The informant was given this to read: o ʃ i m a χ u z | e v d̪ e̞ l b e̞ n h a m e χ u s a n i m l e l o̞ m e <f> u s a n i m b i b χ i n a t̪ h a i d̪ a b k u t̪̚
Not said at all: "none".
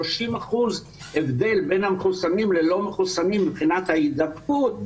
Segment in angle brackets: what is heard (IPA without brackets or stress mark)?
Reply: χ